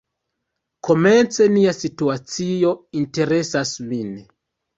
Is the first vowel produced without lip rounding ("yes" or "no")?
no